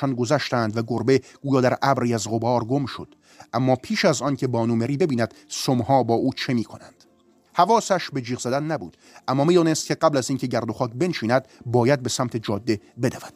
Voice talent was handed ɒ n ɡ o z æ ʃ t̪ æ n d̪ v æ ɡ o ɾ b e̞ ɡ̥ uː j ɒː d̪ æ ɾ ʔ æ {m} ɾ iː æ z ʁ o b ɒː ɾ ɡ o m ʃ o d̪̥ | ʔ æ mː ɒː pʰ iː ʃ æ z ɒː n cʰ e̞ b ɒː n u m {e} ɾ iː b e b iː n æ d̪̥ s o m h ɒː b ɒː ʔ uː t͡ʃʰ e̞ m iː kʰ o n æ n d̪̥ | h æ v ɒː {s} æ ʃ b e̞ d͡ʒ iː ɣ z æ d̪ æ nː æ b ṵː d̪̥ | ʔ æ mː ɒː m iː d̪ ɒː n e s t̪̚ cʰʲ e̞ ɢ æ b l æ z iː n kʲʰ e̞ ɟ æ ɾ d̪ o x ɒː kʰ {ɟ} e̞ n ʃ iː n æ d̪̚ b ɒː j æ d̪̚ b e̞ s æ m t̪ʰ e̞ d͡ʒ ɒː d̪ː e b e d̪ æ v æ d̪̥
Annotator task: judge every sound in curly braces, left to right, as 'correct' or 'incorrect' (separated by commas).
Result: incorrect, correct, correct, incorrect